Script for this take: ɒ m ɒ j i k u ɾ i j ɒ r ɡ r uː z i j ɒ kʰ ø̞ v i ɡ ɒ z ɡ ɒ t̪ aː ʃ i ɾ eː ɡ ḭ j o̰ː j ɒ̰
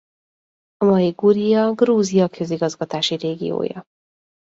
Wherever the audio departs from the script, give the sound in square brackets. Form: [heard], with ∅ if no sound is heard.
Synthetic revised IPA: ɒ m ɒ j i [ɡ] u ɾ i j ɒ [∅] ɡ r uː z i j ɒ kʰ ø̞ [z] i ɡ ɒ z ɡ ɒ t̪ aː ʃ i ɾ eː ɡ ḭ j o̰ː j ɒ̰